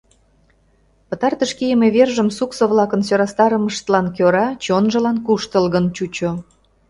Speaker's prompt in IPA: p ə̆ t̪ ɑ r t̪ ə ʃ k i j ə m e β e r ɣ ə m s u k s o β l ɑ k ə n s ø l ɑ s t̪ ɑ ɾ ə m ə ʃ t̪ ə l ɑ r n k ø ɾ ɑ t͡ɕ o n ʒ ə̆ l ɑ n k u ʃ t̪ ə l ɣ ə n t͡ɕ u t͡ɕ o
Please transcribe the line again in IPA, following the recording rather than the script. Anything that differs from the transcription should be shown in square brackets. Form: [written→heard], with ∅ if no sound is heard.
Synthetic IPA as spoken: p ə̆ t̪ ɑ r t̪ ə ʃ k i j ə m e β e r [ɣ→ʒ] ə m s u k s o β l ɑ k ə n s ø [l→ɾ] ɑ s t̪ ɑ ɾ ə m ə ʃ t̪ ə l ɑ [r→∅] n k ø ɾ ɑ t͡ɕ o n ʒ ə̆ l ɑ n k u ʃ t̪ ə l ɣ ə n t͡ɕ u t͡ɕ o